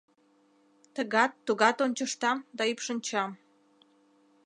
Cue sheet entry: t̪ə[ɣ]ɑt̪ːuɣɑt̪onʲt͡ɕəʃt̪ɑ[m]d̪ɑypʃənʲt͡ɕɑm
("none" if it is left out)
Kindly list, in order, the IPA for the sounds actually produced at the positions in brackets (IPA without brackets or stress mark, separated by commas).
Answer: ɣ, m